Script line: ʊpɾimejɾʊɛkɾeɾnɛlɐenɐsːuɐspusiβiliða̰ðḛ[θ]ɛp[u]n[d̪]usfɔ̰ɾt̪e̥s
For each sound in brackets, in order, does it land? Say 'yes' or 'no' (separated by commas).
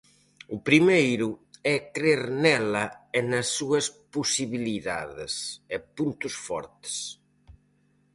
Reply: no, yes, no